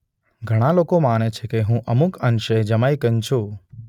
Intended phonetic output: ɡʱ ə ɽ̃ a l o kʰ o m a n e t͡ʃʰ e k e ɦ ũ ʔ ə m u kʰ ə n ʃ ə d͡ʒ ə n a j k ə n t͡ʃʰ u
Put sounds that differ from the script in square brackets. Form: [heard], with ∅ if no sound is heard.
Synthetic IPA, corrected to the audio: ɡʱ ə ɽ̃ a l o [k] o m a n e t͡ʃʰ e k e ɦ ũ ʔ ə m u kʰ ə n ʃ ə d͡ʒ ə [m] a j k ə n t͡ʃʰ u